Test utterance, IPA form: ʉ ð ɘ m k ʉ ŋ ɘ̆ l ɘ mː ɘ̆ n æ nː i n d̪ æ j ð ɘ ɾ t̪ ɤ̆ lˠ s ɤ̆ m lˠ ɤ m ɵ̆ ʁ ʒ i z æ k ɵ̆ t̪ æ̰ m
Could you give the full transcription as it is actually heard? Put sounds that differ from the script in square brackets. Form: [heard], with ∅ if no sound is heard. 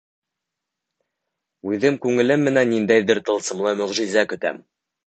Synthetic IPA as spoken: ʉ ð ɘ m k ʉ ŋ ɘ̆ l ɘ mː ɘ̆ n æ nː i n d̪ æ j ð ɘ ɾ t̪ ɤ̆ lˠ s ɤ̆ m lˠ ɤ m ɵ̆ ʁ ʒ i z æ k ɵ̆ t̪ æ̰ m